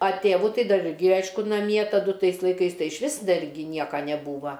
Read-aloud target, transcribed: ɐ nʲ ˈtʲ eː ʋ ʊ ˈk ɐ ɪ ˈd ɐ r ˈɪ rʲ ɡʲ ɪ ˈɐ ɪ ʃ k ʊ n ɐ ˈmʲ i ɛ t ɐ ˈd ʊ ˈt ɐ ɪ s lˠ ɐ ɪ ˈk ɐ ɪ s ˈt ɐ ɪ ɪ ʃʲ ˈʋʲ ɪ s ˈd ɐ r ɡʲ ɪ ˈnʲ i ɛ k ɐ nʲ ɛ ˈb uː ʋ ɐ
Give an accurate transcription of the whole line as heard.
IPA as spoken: ɐ ˈtʲ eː ʋ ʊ ˈt ɐ ɪ ˈd ɐ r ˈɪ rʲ ɡʲ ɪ ˈɐ ɪ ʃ k ʊ n ɐ ˈmʲ i ɛ t ɐ ˈd ʊ ˈt ɐ ɪ s lˠ ɐ ɪ ˈk ɐ ɪ s ˈt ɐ ɪ ɪ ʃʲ ˈʋʲ ɪ s ˈd ɐ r ɡʲ ɪ ˈnʲ i ɛ k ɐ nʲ ɛ ˈb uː ʋ ɐ

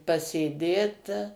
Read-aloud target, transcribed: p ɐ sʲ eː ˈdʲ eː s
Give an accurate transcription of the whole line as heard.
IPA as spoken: p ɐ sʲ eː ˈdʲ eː t

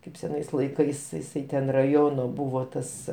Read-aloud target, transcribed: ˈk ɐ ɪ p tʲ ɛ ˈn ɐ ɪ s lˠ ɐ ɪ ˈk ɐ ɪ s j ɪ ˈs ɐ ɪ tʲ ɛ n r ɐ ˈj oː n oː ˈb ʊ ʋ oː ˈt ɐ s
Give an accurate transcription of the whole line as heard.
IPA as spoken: ˈk ɐ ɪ p sʲ ɛ ˈn ɐ ɪ s lˠ ɐ ɪ ˈk ɐ ɪ s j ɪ ˈs ɐ ɪ tʲ ɛ n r ɐ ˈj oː n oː ˈb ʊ ʋ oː ˈt ɐ s

